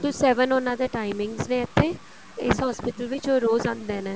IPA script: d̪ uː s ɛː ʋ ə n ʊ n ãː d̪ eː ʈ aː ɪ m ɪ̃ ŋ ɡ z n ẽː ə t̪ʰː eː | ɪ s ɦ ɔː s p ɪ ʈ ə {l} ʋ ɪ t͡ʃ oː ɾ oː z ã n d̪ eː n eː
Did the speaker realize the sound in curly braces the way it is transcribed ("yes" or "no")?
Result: yes